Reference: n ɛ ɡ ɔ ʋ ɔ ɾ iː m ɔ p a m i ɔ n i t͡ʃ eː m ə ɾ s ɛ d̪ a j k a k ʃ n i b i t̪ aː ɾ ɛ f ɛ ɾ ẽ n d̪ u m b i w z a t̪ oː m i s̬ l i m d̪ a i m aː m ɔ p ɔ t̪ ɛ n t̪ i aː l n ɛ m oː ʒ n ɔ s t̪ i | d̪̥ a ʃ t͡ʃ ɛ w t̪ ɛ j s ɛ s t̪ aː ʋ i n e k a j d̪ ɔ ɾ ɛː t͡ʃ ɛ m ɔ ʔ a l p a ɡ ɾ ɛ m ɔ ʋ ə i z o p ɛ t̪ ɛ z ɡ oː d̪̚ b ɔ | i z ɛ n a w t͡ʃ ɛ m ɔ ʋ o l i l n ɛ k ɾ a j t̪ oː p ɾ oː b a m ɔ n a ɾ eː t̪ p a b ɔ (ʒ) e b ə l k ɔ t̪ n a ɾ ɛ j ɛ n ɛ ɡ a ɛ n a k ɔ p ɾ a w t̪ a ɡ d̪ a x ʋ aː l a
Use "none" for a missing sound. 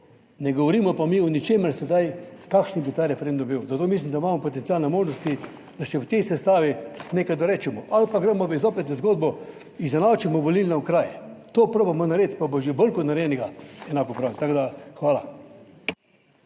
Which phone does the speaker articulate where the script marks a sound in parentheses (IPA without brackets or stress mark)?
ʒ